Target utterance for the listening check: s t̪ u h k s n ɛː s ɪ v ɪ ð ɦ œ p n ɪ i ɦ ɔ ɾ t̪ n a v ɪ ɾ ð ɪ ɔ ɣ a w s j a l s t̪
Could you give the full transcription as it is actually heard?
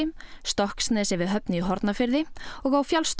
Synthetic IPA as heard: s t̪ ɔ h k s n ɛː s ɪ v ɪ ð ɦ œ p n ɪ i ɦ ɔ ɾ t̪ n a f ɪ ɾ ð ɪ ɔ ɣ a w f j a l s t̪